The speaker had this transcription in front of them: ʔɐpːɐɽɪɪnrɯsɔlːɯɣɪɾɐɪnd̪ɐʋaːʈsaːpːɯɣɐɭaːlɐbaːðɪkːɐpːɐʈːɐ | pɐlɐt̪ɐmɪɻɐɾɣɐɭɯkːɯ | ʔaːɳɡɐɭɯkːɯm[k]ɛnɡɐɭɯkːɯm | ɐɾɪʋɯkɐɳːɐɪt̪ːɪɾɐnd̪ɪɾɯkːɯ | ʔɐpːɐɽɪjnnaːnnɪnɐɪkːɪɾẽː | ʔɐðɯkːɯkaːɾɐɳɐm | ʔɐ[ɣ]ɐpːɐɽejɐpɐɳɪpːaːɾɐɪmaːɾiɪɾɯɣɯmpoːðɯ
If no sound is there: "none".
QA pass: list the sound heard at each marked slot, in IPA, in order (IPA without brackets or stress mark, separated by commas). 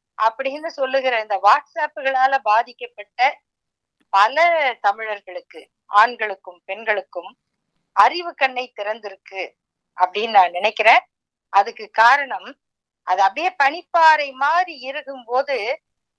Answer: p, ð